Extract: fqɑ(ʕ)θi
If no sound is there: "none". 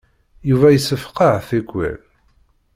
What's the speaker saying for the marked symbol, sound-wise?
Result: ʕ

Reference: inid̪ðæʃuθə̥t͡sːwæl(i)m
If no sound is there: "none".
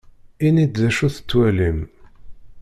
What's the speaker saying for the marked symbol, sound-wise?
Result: i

